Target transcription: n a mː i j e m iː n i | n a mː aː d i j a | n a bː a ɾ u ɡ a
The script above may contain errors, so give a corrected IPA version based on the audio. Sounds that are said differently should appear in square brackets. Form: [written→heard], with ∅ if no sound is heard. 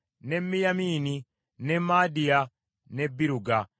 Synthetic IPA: n [a→e] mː i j [e→a] m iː n i | n [a→e] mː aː d i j a | n [a→e] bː [a→i] ɾ u ɡ a